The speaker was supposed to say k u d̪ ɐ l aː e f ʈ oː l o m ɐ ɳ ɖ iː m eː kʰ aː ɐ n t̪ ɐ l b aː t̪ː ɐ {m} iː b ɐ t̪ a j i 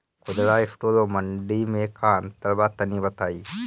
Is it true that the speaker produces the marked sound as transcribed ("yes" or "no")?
no